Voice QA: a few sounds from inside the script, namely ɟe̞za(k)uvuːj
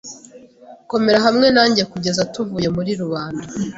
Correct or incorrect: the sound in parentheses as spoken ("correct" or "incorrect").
incorrect